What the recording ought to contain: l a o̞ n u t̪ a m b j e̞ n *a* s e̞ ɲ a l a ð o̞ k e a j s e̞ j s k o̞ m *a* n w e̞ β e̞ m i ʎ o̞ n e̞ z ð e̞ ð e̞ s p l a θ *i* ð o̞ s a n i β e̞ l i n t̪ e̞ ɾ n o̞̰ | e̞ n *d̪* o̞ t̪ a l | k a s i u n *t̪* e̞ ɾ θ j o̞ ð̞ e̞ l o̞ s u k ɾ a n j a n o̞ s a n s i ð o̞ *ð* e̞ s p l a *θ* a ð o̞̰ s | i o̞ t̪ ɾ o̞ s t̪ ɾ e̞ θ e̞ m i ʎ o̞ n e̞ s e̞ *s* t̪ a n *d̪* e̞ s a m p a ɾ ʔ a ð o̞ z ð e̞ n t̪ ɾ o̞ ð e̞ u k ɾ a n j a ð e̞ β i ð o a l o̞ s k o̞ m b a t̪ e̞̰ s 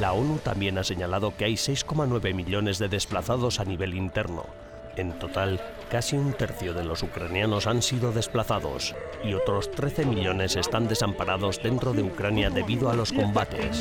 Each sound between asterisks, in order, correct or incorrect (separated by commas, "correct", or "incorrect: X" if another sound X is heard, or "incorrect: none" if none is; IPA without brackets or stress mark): correct, correct, incorrect: a, incorrect: t̪, correct, correct, correct, correct, correct